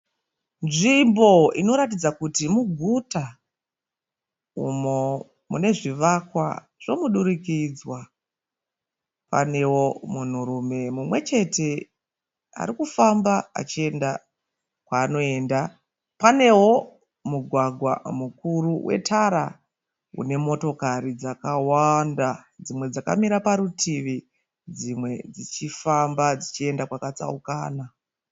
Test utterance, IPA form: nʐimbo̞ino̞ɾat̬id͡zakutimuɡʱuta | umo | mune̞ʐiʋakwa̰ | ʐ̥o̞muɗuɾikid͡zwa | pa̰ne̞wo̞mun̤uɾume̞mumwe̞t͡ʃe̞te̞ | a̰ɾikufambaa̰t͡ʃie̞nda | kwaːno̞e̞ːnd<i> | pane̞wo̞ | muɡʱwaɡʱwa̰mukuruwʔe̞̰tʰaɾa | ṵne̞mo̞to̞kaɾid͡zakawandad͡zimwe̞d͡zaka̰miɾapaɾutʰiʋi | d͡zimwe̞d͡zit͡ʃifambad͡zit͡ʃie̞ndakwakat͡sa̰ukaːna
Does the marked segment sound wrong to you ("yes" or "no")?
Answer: yes